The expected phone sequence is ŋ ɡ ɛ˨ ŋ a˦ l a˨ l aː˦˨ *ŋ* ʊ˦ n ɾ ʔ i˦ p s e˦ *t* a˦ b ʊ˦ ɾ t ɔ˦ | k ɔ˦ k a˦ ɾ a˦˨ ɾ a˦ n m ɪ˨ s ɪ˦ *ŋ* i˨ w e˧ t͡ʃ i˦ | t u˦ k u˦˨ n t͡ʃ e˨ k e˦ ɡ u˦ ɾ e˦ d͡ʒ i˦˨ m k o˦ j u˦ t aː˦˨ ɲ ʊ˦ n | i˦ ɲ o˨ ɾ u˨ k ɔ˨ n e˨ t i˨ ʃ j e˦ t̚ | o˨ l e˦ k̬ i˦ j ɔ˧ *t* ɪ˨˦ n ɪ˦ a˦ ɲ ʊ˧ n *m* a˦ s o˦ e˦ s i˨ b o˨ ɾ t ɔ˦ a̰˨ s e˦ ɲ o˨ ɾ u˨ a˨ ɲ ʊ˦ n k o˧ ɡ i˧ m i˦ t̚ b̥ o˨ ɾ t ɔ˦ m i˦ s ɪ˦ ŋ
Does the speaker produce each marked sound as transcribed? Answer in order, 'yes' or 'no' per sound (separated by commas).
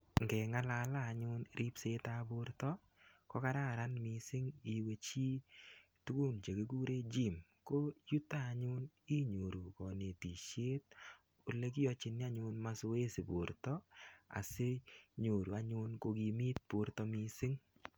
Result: no, yes, yes, no, yes